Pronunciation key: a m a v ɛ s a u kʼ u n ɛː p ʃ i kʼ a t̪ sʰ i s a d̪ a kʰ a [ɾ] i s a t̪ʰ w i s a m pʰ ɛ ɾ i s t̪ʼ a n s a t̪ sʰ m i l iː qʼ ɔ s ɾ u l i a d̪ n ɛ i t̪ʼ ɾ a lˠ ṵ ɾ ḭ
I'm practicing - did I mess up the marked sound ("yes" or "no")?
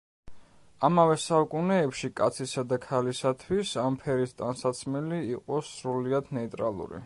yes